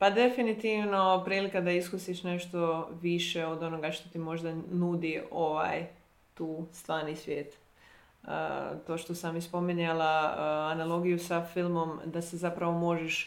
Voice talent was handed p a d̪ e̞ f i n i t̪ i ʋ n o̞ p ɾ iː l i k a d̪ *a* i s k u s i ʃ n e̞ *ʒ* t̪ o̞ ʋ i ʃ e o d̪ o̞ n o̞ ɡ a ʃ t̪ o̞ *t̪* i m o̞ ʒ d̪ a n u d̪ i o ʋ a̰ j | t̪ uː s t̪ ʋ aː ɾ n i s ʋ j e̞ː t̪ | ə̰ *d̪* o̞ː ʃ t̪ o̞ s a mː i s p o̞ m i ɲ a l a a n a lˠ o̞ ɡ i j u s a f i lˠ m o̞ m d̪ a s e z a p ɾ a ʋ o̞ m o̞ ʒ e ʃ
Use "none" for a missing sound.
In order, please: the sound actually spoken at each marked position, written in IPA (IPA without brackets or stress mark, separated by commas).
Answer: a, ʃ, t̪, t̪